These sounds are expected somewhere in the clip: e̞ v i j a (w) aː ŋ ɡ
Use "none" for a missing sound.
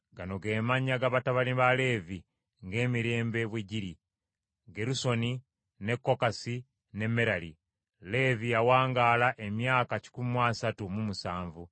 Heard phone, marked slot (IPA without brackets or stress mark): w